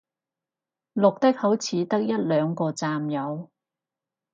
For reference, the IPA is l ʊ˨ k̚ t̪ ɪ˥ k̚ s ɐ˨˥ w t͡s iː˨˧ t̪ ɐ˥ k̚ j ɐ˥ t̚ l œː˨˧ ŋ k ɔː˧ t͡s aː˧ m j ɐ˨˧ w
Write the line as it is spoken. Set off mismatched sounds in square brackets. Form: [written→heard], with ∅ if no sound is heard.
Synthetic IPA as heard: l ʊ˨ k̚ t̪ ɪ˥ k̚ [s→h] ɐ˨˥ w [t͡s→t͡sʰ] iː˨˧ t̪ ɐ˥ k̚ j ɐ˥ t̚ l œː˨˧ ŋ k ɔː˧ t͡s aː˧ m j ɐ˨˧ w